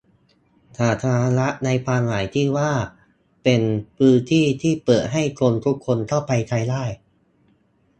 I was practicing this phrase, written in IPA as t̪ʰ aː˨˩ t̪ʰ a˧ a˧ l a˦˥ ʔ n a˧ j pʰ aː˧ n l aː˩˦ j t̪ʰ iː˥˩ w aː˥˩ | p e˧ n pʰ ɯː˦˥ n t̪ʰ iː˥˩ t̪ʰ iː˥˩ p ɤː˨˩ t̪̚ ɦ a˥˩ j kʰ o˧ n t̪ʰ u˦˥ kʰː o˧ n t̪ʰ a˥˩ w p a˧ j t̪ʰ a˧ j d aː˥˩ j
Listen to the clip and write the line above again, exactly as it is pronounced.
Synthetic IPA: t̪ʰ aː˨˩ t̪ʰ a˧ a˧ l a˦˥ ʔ n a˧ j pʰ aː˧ n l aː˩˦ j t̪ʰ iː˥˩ w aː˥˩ | p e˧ n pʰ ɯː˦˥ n t̪ʰ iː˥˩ t̪ʰ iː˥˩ p ɤː˨˩ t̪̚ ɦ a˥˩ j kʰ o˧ n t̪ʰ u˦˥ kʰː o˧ n t̪ʰ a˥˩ w p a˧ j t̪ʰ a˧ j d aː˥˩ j